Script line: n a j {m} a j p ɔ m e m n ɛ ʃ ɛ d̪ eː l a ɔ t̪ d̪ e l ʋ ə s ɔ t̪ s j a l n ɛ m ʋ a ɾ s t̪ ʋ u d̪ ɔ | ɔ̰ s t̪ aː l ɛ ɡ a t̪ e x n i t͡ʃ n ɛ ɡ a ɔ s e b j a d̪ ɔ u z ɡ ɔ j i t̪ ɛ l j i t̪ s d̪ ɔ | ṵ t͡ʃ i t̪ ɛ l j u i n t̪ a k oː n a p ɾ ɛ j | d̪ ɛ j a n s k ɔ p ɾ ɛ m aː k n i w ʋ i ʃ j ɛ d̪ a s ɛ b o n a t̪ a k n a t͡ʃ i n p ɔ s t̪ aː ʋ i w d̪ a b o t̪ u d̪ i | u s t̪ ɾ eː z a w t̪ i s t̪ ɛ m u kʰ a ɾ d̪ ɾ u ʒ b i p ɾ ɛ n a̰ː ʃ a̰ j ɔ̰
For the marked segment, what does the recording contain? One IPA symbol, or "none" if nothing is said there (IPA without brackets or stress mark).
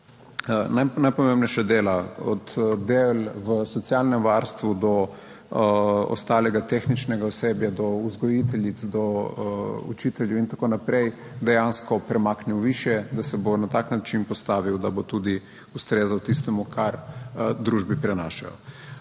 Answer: n